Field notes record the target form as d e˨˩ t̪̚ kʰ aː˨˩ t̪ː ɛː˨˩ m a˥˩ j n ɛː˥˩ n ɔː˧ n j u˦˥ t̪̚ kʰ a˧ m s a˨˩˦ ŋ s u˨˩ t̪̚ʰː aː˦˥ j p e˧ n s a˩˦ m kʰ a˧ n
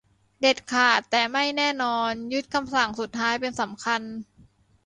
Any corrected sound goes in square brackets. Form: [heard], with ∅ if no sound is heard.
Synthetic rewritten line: d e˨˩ t̪̚ kʰ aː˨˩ t̪ː ɛː˨˩ m a˥˩ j n ɛː˥˩ n ɔː˧ n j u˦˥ t̪̚ kʰ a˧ m s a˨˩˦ ŋ s u˨˩ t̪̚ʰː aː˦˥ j p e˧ n s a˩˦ m kʰ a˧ n

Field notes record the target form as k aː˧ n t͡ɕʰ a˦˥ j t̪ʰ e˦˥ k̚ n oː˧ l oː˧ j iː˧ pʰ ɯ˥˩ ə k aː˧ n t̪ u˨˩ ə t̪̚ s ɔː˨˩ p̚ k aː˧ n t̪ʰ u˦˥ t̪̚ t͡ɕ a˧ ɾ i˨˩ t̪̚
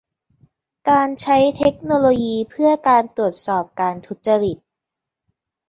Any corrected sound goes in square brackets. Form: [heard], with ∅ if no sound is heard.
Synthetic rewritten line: k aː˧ n t͡ɕʰ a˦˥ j t̪ʰ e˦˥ k̚ n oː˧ l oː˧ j iː˧ pʰ ɯ˥˩ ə k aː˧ n t̪ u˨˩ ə t̪̚ s ɔː˨˩ p̚ k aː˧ n t̪ʰ u˦˥ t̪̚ t͡ɕ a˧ ɾ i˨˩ t̪̚

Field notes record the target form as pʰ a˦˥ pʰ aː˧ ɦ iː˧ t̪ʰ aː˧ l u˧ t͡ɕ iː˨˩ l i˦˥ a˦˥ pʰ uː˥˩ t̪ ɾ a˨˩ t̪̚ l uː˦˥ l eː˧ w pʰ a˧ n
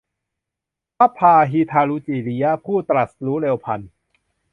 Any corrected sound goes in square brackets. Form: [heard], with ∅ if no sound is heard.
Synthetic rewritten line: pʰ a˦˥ pʰ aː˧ ɦ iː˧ t̪ʰ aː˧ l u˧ t͡ɕ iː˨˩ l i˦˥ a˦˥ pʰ uː˥˩ t̪ ɾ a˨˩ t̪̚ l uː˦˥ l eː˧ w pʰ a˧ n

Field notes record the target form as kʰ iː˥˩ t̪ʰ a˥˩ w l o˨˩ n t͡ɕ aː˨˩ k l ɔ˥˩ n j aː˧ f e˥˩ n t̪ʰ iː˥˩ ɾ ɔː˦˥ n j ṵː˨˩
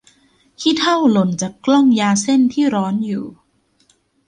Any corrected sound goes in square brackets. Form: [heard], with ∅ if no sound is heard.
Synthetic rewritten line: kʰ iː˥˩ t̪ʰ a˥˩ w l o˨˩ n t͡ɕ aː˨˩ k l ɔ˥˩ [ŋ] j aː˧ [s] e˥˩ n t̪ʰ iː˥˩ ɾ ɔː˦˥ n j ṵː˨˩

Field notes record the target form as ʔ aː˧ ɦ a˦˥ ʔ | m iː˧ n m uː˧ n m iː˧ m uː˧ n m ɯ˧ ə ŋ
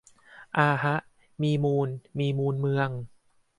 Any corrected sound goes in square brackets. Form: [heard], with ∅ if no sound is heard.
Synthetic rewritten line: ʔ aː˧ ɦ a˦˥ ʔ | m iː˧ [∅] m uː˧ n m iː˧ m uː˧ n m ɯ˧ ə ŋ

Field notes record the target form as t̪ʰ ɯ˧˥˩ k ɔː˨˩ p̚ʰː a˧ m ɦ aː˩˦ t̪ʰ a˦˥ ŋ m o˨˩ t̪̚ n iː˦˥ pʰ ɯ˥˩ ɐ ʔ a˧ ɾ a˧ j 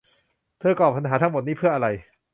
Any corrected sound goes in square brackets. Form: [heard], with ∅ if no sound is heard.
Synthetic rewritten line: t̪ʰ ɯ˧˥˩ k ɔː˨˩ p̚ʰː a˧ [n] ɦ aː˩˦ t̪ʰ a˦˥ ŋ m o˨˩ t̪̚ n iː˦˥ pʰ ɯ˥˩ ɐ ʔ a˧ ɾ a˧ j

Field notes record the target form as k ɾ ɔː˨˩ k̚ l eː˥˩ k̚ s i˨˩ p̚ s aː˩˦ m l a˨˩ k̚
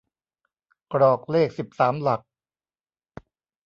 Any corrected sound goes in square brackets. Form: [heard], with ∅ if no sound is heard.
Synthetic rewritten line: k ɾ ɔː˨˩ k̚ l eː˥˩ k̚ s i˨˩ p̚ s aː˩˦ m l a˨˩ k̚

